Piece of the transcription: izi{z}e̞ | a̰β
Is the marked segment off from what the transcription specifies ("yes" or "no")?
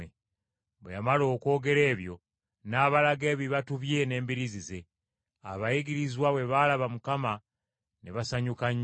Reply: no